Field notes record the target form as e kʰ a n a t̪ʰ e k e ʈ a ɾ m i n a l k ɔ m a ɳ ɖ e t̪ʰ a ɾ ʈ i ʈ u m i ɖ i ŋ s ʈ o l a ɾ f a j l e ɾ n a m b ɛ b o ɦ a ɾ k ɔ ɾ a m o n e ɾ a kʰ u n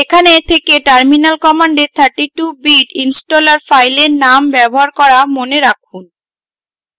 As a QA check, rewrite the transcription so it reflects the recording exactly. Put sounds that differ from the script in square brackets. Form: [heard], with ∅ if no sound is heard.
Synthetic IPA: e kʰ a n [e] t̪ʰ e k e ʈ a ɾ m i n a l k ɔ m a ɳ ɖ e t̪ʰ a ɾ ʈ i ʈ u [b] i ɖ i [n] s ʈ o l a ɾ f a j l e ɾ n a m b ɛ b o ɦ a ɾ k ɔ ɾ a m o n e ɾ a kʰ u n